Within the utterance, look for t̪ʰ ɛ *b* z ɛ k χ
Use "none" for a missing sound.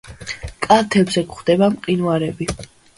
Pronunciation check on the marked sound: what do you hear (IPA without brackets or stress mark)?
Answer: b